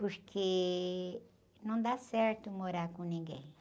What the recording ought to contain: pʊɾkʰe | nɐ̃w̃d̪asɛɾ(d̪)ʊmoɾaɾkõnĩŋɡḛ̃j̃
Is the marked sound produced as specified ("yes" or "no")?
no